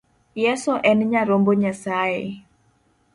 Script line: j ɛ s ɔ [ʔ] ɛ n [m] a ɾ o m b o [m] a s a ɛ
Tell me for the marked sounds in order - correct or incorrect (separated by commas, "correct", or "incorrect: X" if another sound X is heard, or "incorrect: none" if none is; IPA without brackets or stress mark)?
correct, incorrect: ɲ, incorrect: ɲ